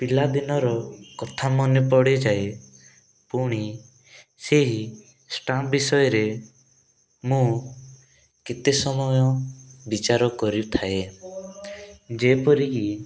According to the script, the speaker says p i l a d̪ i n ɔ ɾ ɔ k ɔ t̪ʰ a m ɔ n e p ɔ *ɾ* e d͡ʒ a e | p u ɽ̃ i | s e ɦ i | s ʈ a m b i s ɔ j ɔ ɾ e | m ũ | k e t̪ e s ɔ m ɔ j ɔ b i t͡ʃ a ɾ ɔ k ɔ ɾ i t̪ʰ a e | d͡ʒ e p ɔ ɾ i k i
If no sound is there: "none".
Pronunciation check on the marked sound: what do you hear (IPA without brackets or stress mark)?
ɽ